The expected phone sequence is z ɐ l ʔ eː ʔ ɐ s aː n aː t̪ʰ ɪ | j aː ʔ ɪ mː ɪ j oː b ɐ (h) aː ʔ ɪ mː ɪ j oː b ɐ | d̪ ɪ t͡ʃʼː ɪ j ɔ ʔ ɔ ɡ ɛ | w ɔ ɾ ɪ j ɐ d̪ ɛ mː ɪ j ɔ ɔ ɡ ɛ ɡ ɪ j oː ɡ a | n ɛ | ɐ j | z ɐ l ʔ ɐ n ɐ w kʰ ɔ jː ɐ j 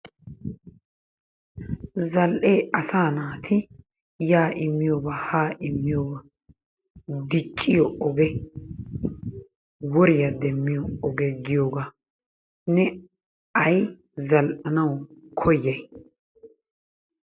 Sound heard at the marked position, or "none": h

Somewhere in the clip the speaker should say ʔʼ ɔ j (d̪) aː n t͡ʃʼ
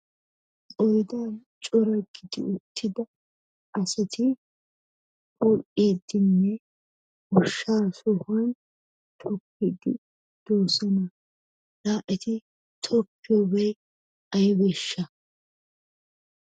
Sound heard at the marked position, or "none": d̪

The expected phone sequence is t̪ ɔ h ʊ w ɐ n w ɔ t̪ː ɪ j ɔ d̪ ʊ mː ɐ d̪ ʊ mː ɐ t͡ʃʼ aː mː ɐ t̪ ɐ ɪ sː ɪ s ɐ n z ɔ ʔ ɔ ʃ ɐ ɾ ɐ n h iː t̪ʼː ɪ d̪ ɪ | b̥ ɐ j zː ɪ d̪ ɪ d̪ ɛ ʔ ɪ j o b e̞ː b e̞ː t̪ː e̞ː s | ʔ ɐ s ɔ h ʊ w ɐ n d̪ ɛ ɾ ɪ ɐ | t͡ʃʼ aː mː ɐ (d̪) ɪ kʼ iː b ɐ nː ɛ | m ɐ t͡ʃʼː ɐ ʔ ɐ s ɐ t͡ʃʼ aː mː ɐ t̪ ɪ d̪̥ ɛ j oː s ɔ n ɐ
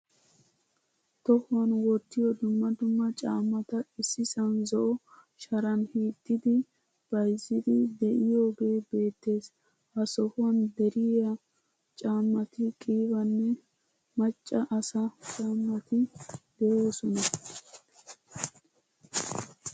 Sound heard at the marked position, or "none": t̪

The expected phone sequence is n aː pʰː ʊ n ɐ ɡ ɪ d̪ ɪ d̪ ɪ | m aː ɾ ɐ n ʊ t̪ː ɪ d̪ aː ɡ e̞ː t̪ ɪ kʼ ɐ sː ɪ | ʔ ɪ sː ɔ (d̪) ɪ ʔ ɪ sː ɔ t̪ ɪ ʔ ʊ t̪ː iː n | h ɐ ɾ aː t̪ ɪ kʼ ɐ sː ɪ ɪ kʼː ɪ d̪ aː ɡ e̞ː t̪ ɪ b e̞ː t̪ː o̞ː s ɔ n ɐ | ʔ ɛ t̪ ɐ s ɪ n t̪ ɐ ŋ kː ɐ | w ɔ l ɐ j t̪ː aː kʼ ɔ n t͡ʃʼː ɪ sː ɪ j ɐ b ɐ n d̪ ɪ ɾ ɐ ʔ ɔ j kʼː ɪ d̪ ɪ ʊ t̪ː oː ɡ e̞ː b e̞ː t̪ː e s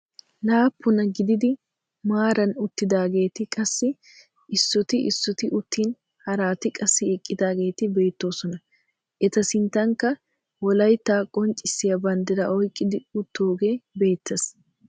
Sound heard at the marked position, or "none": t̪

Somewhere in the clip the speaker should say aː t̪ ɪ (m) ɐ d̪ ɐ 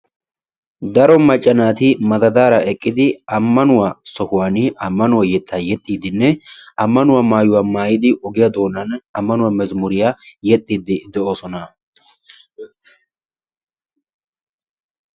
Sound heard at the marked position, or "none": m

